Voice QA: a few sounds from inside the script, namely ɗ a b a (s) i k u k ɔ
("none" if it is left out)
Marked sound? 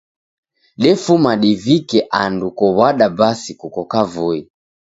s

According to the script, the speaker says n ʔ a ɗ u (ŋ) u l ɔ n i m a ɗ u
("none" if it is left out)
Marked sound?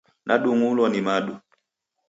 ŋ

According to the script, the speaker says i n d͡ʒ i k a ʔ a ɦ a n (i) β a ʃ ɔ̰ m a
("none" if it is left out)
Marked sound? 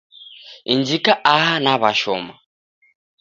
a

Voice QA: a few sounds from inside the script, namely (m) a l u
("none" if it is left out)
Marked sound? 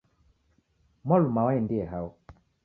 m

